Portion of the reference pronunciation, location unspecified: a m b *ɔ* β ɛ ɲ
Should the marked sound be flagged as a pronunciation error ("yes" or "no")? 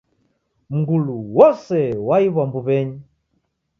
yes